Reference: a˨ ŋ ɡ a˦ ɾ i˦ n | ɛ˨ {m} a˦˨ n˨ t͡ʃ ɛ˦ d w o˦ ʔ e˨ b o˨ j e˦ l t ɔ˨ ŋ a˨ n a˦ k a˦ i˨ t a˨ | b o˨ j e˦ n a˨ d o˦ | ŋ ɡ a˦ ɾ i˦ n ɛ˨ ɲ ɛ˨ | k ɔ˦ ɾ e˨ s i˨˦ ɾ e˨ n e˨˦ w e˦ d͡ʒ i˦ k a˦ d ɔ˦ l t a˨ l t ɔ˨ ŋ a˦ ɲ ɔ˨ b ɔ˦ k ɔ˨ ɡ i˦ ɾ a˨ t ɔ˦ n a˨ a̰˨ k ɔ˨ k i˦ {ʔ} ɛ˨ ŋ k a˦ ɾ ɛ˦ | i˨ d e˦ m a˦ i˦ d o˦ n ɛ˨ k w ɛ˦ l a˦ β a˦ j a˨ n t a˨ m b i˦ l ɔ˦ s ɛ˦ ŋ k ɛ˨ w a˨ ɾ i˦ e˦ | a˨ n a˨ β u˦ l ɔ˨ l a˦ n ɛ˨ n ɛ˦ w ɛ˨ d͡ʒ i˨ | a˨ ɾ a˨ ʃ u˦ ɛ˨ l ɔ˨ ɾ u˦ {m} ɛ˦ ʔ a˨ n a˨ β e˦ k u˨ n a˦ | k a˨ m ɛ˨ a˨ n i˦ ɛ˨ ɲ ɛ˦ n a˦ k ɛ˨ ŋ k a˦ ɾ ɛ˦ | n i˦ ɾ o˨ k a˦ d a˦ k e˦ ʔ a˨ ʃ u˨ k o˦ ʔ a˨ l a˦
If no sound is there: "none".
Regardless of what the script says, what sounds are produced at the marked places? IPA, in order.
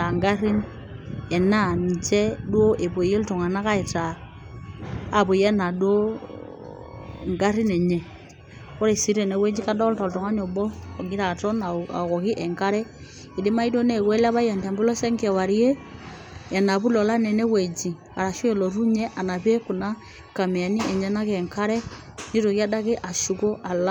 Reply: n, ʔ, ɲ

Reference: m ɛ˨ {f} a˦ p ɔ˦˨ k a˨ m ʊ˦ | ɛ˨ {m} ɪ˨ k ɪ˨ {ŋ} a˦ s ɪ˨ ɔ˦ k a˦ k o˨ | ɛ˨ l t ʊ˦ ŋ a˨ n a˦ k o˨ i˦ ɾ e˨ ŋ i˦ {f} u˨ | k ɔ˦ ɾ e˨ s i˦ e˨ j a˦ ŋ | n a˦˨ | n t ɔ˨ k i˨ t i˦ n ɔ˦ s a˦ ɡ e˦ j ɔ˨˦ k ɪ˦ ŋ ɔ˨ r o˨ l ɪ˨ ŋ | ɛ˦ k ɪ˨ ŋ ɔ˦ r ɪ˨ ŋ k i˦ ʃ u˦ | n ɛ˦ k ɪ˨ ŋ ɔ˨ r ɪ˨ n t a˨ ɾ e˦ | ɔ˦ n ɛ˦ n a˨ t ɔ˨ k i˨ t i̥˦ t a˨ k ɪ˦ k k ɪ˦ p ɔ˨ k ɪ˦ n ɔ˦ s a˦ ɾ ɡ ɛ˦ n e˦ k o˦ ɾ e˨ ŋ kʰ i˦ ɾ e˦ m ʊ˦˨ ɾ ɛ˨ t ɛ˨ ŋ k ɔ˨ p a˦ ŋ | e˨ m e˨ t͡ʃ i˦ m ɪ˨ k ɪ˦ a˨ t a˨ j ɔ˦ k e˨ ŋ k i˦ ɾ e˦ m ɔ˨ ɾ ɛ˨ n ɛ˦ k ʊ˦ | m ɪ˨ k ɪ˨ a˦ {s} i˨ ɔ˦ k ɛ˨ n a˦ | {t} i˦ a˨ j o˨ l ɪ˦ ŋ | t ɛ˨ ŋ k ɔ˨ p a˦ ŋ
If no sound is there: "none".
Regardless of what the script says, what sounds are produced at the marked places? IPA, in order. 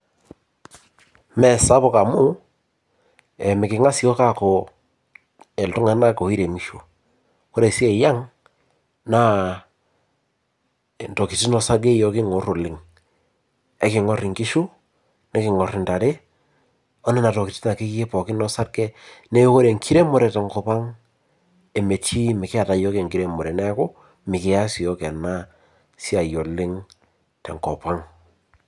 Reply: s, m, ŋ, ʃ, s, s

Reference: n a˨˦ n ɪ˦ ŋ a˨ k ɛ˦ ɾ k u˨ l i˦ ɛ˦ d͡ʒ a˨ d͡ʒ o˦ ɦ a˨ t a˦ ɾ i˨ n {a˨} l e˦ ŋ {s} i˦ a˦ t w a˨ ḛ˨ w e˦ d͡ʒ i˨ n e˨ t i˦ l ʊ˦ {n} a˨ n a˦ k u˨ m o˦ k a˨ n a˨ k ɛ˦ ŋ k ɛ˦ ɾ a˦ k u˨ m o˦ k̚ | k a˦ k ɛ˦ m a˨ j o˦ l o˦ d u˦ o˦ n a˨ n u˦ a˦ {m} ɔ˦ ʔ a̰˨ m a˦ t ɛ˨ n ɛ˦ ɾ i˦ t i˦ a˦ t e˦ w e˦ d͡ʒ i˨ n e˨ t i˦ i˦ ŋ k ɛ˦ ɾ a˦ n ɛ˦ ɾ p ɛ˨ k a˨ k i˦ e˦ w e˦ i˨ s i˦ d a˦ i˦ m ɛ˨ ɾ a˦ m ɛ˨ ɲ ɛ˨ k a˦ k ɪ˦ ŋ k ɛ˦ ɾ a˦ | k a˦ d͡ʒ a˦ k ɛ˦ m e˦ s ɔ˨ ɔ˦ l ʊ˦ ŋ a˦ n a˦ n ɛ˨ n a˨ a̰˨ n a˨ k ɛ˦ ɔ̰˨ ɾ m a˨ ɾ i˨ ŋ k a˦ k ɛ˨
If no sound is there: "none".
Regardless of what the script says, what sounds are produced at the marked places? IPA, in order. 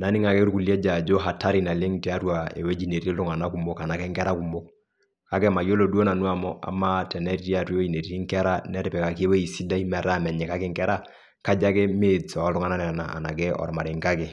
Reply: a˨, t, ŋ, m

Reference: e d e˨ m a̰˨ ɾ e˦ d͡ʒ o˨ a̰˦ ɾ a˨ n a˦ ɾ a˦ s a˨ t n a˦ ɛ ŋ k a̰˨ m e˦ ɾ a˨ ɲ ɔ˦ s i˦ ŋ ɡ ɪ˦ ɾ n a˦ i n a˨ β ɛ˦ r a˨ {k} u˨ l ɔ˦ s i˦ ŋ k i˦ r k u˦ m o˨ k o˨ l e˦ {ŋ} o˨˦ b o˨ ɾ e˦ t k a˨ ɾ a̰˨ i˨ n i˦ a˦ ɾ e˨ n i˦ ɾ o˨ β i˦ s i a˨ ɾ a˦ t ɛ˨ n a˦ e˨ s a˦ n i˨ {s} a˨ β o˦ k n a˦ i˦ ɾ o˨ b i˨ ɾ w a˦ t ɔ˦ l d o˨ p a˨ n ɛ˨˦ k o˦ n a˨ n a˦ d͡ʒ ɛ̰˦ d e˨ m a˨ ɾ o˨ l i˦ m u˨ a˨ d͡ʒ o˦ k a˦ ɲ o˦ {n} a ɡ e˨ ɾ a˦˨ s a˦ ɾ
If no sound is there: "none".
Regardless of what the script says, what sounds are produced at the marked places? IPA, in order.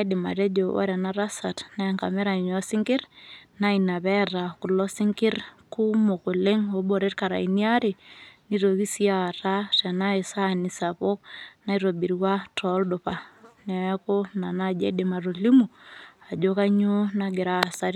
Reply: k, ŋ, s, n

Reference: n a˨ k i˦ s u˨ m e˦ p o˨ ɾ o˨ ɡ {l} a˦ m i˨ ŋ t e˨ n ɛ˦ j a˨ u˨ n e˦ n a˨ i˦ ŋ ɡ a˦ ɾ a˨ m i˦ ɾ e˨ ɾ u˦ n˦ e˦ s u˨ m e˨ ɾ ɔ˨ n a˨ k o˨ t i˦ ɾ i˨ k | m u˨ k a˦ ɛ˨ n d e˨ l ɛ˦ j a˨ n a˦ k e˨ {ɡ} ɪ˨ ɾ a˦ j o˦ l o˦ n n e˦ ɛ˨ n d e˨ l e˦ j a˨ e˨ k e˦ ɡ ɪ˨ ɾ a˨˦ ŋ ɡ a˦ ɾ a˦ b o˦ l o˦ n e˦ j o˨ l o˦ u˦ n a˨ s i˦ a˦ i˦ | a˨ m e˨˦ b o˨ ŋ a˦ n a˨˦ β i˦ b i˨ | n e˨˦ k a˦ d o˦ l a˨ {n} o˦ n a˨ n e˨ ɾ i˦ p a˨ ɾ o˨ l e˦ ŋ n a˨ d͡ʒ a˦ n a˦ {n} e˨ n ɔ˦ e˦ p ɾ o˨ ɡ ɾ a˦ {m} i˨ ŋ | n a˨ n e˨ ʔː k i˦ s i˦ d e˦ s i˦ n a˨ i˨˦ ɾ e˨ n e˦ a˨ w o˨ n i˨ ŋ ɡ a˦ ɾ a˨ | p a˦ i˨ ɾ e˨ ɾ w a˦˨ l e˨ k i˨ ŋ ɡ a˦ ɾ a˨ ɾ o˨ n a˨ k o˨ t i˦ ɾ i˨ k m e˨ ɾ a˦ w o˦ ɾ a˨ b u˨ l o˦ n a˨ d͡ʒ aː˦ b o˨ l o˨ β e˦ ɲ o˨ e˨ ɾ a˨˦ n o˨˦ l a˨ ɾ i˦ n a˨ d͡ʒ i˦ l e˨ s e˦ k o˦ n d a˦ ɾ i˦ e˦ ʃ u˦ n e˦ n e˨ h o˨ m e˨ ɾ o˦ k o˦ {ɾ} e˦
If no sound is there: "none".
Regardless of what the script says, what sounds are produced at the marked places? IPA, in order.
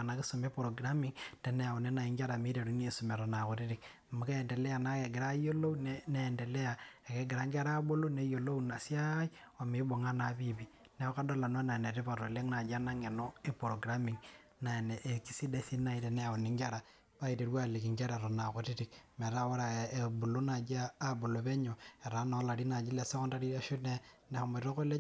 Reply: ɾ, ɡ, n, ŋ, m, l

